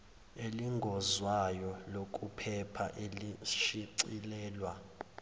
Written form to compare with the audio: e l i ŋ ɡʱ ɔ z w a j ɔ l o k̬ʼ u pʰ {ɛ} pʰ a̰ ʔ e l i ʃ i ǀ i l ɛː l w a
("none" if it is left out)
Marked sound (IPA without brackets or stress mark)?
ɛ